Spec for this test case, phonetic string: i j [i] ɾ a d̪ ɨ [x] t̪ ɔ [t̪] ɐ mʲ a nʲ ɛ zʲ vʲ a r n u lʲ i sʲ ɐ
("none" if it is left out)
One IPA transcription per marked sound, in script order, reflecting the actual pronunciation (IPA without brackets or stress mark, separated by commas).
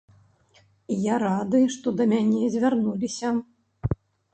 a, ʂ, d̪